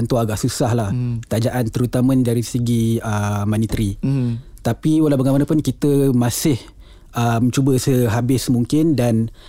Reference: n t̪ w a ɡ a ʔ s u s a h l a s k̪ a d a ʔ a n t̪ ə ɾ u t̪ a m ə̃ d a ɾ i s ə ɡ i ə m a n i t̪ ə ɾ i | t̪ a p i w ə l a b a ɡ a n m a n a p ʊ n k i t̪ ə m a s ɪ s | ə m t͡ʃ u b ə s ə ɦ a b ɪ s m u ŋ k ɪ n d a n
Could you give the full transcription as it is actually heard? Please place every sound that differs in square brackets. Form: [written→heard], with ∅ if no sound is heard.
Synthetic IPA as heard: n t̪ [w→u] a ɡ a ʔ s u s a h l a [s→h] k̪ a [d→d͡ʒ] a ʔ a n t̪ ə ɾ u t̪ a m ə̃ d a ɾ i s ə ɡ i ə m a n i t̪ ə ɾ i | t̪ a p i w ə l a b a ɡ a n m a n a p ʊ n k i t̪ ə m a s ɪ [s→h] | ə m t͡ʃ u b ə s ə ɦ a b ɪ s m u ŋ k ɪ n d a n